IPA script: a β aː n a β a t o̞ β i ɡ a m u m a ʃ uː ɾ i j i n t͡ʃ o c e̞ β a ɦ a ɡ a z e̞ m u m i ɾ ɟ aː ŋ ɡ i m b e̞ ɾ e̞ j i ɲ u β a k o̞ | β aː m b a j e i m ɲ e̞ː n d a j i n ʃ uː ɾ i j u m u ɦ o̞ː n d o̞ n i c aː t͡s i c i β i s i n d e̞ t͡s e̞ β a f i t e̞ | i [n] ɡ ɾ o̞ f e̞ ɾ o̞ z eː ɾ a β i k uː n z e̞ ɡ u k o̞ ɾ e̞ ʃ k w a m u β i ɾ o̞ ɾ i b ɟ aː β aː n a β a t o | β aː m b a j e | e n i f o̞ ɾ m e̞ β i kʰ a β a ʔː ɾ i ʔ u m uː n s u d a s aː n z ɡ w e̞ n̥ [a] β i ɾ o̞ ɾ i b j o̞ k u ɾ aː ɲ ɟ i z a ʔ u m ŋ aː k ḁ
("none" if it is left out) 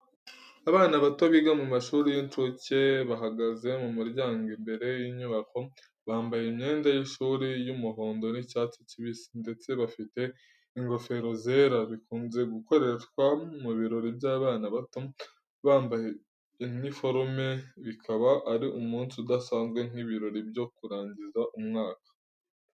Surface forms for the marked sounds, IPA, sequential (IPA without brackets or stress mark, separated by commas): ŋ, i